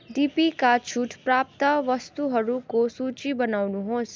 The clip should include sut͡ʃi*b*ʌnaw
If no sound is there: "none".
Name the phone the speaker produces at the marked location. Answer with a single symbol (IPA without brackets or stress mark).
b